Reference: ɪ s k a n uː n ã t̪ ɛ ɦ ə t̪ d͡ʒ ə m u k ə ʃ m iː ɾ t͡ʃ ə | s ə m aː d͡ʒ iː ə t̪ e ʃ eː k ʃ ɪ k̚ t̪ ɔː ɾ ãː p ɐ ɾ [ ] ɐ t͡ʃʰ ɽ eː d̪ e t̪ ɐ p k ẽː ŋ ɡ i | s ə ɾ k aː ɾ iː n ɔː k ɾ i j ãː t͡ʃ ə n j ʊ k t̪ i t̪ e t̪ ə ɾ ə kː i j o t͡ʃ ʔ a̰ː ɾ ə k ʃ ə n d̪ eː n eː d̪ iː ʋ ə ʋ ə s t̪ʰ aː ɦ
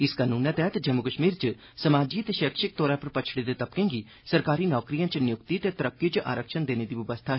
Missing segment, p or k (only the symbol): p